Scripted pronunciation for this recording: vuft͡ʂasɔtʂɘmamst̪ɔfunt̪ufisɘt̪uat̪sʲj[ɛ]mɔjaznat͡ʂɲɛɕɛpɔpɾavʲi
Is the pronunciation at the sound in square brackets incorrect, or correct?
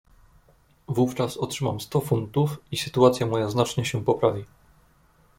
incorrect